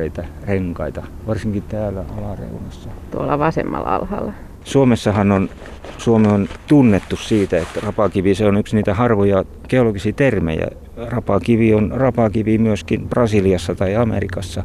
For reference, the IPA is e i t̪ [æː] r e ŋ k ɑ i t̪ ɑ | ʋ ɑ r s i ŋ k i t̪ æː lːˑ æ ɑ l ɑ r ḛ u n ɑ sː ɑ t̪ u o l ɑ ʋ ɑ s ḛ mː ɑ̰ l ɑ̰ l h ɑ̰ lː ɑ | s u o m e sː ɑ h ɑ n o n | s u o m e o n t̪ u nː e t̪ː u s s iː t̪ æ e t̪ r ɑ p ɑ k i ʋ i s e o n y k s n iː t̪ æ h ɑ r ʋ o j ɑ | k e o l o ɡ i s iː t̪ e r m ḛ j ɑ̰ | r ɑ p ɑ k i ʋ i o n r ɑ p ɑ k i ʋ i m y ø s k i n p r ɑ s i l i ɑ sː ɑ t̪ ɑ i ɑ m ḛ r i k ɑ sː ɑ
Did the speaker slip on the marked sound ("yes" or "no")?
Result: yes